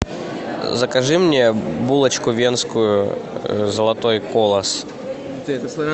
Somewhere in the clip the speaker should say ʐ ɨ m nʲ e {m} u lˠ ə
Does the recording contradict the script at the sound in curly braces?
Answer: yes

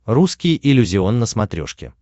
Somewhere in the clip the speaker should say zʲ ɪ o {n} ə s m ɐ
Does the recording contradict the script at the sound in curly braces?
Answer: yes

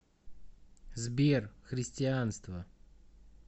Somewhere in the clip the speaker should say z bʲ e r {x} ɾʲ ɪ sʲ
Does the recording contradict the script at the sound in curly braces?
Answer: no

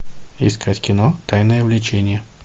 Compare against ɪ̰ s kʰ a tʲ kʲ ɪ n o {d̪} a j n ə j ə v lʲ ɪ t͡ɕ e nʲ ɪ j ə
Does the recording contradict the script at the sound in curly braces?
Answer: yes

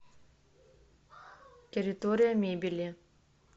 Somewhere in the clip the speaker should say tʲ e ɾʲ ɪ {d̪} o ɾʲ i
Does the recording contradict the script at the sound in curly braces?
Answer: yes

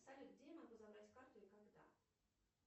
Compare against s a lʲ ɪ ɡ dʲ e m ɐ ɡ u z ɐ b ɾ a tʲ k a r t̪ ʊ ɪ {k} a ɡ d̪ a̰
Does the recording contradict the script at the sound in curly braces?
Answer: no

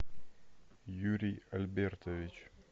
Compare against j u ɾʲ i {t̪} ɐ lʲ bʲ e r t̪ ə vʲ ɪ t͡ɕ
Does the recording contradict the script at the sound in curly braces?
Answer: yes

